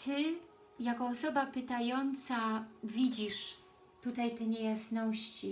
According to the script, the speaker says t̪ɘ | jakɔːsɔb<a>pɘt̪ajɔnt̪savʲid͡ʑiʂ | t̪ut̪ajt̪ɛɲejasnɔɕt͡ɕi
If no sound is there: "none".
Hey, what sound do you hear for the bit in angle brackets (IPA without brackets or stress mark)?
a